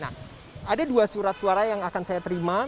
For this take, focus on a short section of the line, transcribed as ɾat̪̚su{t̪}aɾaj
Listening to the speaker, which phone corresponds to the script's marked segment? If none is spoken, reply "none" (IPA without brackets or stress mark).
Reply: none